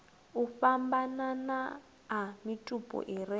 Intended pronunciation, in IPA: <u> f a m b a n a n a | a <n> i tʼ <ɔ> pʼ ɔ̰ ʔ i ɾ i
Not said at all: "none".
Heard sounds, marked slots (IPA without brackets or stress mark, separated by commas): u, m, u